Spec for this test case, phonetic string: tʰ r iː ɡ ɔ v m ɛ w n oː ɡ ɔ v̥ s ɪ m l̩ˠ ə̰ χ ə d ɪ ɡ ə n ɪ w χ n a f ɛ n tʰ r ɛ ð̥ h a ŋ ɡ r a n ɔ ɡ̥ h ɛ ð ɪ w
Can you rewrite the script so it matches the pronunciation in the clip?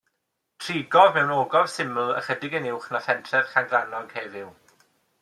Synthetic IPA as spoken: tʰ r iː ɡ ɔ v m ɛ w n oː ɡ ɔ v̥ s ɪ m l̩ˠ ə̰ χ ə d ɪ ɡ ə n ɪ w χ n a f ɛ n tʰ r ɛ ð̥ χ a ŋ ɡ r a n ɔ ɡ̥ h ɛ v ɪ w